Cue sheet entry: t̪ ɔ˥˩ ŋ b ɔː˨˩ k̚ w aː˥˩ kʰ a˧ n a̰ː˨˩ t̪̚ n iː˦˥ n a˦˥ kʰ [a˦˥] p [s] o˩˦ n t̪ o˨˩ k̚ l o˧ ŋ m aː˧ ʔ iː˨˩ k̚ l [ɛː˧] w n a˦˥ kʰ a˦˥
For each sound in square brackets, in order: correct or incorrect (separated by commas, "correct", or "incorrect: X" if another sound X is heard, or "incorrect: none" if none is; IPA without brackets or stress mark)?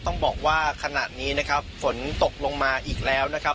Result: correct, incorrect: f, incorrect: ɛː˦˥